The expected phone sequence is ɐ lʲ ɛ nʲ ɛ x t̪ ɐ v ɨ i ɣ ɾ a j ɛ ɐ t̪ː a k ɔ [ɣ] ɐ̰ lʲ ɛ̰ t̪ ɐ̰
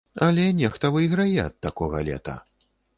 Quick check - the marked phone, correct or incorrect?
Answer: correct